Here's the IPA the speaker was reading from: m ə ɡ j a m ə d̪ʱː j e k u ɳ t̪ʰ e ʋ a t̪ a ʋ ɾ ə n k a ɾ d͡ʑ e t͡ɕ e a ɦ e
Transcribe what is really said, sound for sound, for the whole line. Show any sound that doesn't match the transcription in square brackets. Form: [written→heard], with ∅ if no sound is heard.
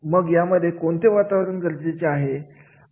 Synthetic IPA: m ə ɡ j a m ə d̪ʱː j e k [u→o] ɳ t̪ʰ e ʋ a t̪ a ʋ ɾ ə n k [a→ə] ɾ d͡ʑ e t͡ɕ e a ɦ e